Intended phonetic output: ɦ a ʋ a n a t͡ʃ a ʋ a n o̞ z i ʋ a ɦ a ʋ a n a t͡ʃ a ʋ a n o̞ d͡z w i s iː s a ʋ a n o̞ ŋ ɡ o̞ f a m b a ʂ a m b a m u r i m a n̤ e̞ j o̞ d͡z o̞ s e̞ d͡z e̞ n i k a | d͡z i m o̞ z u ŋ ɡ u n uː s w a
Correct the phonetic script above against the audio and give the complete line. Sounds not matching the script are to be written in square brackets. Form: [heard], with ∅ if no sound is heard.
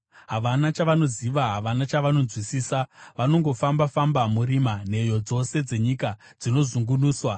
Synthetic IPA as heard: ɦ a ʋ a n a t͡ʃ a ʋ a n o̞ z i ʋ a ɦ a ʋ a n a t͡ʃ a ʋ a n o̞ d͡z w i s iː s a ʋ a n o̞ ŋ ɡ o̞ f a m b a [f] a m b a m u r i m a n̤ e̞ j o̞ d͡z o̞ s e̞ d͡z e̞ [ɲ] i k a | d͡z i [n] o̞ z u ŋ ɡ u n uː s w a